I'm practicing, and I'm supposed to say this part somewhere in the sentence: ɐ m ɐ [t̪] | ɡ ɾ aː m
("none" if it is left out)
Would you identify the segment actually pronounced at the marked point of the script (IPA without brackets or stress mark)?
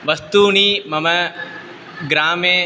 none